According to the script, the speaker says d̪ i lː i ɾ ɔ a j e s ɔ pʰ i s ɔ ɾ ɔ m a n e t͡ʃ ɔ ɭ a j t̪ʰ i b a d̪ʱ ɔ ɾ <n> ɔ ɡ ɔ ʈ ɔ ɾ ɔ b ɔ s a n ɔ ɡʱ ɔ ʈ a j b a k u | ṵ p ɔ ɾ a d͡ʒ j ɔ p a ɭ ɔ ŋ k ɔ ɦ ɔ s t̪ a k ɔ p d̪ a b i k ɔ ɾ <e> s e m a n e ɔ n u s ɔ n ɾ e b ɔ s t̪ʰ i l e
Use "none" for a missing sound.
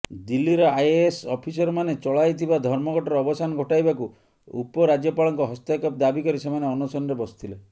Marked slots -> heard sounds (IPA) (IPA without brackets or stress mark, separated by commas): m, i